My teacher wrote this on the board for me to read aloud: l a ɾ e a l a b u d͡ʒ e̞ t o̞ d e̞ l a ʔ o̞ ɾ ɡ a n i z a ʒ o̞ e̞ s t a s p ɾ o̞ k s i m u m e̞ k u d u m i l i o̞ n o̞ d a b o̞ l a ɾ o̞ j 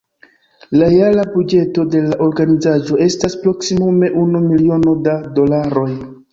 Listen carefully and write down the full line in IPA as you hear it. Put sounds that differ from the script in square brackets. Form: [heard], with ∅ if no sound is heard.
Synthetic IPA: l a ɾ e a l a b u d͡ʒ e̞ t o̞ d e̞ l a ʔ o̞ ɾ ɡ a n i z a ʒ o̞ e̞ s t a s p ɾ o̞ k s i m u m e̞ [ʔ] u [n] u m i l i o̞ n o̞ d a [d] o̞ l a ɾ o̞ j